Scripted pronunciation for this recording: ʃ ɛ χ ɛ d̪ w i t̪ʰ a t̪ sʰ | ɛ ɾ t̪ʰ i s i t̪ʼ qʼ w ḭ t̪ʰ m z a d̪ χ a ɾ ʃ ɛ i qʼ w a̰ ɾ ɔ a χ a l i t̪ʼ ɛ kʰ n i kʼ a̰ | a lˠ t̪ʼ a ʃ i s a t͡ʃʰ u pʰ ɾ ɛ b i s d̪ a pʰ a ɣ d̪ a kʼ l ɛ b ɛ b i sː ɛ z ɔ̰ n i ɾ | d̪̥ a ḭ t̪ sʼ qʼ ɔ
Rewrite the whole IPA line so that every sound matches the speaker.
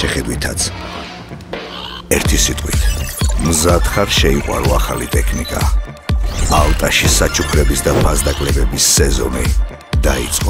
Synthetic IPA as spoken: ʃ ɛ χ ɛ d̪ w i t̪ʰ a t̪ sʰ | ɛ ɾ t̪ʰ i s i t̪ʼ qʼ w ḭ t̪ʰ m z a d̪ χ a ɾ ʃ ɛ i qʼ w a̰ ɾ ɔ a χ a l i t̪ʼ ɛ kʰ n i kʼ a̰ | a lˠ t̪ʼ a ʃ i s a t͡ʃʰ u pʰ ɾ ɛ b i s d̪ a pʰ a z d̪ a kʼ l ɛ b ɛ b i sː ɛ z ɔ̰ n i | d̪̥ a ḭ t̪ sʼ qʼ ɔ